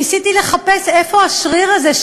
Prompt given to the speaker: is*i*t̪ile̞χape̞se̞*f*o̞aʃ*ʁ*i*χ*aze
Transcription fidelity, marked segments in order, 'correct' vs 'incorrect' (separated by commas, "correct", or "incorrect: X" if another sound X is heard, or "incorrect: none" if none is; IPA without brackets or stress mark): correct, correct, correct, incorrect: ʁ